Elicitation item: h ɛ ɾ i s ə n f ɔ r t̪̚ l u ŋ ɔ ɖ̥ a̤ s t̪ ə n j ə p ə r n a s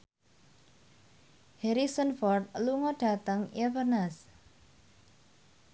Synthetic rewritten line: h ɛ ɾ i s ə n f ɔ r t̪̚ l u ŋ ɔ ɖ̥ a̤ t̪ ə ŋ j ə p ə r n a s